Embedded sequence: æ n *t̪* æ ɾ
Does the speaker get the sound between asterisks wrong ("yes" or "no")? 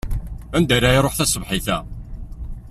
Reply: yes